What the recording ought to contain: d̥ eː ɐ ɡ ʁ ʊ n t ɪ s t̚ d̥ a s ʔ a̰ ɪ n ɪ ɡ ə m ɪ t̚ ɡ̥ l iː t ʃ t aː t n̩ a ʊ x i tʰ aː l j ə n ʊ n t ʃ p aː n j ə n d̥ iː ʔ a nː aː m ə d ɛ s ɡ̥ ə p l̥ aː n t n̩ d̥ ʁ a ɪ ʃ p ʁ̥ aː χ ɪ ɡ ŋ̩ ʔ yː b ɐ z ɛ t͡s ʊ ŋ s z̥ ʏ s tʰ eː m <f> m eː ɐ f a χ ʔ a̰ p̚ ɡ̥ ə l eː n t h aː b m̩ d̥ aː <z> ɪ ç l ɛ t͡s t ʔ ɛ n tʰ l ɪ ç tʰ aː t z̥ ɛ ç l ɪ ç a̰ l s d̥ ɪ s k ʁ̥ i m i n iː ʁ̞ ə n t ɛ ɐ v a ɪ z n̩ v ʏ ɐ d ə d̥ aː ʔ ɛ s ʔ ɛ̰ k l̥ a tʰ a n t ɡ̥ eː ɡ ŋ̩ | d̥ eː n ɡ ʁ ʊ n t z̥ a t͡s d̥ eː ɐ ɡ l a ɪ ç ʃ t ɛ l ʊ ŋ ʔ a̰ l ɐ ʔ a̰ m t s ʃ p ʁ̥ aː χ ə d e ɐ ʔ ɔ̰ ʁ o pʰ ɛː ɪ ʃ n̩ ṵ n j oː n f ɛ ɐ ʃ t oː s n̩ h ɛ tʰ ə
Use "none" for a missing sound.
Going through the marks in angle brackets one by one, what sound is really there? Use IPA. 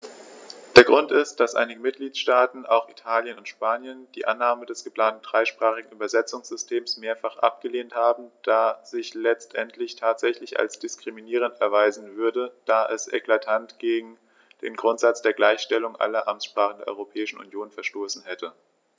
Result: s, z

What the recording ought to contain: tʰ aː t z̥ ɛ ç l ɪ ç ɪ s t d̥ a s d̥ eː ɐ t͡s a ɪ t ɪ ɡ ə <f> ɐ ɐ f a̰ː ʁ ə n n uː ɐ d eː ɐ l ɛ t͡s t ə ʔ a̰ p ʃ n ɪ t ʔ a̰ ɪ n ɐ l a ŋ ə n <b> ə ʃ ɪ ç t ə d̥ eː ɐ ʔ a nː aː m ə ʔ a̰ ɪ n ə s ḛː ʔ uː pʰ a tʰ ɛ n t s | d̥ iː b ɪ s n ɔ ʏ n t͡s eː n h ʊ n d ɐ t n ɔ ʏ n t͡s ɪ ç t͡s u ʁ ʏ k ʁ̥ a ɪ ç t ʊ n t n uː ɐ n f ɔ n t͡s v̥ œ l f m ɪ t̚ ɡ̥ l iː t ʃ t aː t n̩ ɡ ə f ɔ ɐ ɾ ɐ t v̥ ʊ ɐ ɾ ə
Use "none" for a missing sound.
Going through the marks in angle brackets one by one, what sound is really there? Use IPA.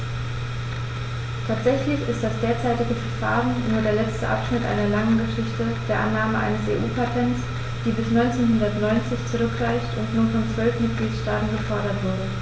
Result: f, ɡ

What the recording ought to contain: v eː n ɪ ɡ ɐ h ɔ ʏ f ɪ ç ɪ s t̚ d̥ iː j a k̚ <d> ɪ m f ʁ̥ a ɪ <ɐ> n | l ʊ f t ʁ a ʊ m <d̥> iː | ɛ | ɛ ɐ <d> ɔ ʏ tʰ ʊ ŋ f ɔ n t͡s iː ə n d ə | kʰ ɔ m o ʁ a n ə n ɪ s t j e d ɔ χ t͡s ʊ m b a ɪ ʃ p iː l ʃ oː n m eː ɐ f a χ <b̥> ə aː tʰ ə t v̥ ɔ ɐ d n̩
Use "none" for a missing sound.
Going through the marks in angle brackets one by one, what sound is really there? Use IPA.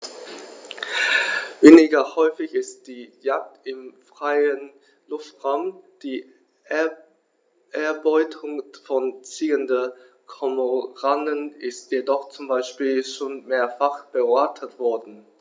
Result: t, ə, d̥, b, b̥

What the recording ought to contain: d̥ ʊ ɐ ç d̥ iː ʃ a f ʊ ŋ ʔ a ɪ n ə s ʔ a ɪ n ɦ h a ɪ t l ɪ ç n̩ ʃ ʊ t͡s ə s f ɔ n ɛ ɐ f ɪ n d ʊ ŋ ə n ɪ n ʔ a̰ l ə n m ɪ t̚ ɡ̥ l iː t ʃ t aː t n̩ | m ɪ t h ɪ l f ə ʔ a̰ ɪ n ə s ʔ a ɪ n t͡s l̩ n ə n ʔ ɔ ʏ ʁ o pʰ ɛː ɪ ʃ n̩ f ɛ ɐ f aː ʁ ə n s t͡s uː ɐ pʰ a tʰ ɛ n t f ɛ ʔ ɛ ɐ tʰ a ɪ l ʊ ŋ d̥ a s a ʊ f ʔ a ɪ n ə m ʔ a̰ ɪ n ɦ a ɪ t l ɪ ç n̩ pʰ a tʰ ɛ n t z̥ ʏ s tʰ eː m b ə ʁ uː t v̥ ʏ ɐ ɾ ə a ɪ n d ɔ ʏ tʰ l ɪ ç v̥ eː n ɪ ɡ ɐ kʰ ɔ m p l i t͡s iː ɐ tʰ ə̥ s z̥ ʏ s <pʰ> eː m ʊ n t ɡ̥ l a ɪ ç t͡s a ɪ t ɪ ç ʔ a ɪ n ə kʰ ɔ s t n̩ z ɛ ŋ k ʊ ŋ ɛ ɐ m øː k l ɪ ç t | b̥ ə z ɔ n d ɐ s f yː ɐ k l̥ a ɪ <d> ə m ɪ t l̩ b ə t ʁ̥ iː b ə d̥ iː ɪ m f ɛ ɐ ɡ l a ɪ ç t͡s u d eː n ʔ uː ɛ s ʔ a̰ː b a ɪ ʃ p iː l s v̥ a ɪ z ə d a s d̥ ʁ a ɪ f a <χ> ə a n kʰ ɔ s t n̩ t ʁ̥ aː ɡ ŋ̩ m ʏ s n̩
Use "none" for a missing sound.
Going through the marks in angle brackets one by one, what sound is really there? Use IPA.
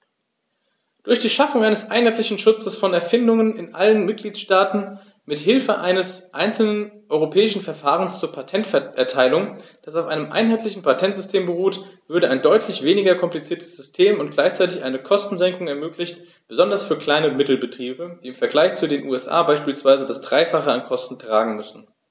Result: tʰ, n, χ

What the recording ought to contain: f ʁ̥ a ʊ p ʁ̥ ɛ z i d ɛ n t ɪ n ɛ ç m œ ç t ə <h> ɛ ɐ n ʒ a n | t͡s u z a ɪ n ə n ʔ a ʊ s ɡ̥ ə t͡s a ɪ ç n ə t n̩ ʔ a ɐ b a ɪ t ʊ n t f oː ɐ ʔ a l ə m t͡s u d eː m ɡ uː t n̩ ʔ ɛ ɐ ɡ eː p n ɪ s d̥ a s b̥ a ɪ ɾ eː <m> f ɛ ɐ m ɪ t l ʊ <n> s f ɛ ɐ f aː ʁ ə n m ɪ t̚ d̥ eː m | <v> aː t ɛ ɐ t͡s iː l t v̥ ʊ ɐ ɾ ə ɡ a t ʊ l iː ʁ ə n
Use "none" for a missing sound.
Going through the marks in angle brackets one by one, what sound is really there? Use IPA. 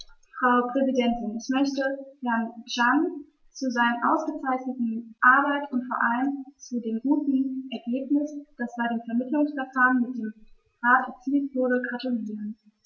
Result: h, m, ŋ, ʁ

